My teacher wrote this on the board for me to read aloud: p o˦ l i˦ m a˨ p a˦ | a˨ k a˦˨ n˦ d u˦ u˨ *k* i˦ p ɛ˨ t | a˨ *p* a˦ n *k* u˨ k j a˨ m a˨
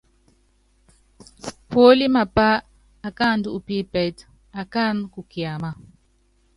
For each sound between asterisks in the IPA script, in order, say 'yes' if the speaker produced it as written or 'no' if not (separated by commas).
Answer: no, no, yes